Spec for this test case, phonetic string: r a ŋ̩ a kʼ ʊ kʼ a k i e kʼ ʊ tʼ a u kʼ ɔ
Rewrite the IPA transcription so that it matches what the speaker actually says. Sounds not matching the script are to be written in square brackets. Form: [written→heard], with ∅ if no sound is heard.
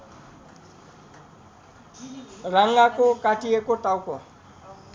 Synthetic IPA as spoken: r a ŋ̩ a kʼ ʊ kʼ a [k→t] i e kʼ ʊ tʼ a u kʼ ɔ